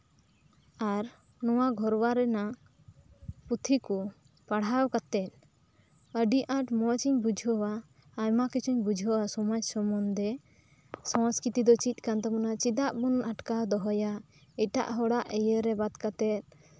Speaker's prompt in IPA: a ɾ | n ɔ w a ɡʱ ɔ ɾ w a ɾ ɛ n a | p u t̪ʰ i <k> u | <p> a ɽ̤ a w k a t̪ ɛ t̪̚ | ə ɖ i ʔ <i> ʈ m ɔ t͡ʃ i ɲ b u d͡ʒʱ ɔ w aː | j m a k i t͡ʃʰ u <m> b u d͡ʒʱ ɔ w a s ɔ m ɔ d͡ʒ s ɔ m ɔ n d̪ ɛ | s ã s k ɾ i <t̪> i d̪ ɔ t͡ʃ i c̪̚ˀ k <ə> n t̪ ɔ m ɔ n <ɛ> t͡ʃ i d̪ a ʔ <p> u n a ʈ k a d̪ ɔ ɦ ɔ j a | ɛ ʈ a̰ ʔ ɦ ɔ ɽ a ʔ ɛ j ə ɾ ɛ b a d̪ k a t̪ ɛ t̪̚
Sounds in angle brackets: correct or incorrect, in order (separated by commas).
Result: correct, correct, incorrect, incorrect, correct, incorrect, incorrect, incorrect